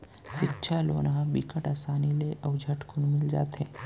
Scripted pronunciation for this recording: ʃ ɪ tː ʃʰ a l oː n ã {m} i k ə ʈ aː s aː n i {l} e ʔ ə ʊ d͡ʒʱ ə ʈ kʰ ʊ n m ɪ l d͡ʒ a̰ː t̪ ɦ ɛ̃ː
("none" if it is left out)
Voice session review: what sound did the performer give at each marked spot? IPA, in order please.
b, l

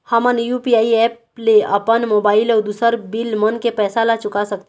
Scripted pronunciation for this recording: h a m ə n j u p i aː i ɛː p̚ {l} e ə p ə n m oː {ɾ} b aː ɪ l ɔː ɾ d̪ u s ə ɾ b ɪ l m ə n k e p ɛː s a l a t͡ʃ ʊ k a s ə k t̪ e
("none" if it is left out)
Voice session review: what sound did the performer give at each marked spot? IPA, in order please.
l, none

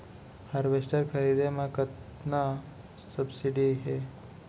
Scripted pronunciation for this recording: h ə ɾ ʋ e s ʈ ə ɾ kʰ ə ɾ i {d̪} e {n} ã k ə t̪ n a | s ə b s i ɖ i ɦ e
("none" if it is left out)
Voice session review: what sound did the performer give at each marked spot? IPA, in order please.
d̪, m

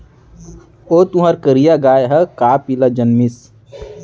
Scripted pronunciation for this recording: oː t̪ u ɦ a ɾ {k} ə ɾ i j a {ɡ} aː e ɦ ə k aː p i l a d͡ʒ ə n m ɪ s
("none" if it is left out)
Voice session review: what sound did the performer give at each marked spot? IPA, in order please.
k, ɡ

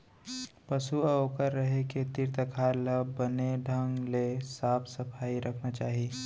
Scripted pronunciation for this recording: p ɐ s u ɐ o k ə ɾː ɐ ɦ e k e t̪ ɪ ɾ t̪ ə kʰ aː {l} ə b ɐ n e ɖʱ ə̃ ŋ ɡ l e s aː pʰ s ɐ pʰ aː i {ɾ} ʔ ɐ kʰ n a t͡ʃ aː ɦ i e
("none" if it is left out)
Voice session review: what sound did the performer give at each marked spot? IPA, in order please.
l, ɾ

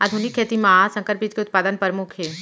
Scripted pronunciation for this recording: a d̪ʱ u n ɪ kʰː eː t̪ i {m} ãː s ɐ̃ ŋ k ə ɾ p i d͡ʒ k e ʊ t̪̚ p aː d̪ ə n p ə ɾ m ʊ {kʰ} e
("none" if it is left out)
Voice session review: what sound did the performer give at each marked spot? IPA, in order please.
m, kʰ

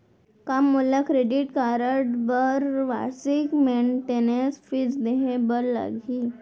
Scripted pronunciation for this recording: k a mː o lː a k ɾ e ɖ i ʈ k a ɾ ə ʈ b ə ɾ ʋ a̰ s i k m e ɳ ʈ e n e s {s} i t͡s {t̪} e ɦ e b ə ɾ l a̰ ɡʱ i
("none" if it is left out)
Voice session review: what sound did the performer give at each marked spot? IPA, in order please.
f, d̪

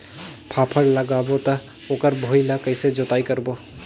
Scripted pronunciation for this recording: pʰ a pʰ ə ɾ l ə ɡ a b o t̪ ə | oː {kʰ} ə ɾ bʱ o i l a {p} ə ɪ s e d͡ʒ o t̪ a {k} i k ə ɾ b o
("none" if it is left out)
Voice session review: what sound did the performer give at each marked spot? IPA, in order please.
k, k, none

